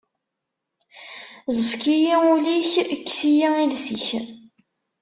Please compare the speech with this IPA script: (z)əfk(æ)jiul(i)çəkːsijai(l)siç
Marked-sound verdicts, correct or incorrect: correct, incorrect, correct, correct

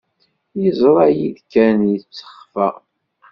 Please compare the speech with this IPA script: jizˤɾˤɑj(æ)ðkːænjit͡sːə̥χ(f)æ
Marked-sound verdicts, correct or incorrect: incorrect, correct

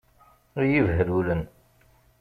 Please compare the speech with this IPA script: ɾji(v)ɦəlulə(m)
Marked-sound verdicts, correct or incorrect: correct, incorrect

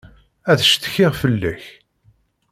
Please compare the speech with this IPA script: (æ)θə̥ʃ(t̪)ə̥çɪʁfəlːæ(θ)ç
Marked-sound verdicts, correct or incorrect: correct, correct, incorrect

